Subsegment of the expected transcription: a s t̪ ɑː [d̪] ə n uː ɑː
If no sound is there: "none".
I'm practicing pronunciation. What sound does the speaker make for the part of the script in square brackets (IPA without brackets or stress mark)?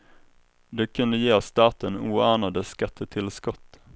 t̪